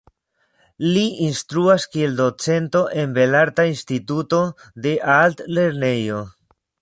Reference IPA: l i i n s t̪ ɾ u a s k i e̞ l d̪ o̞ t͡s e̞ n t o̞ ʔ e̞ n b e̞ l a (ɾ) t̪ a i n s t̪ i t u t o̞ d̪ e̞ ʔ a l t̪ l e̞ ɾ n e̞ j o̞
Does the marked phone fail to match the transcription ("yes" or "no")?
no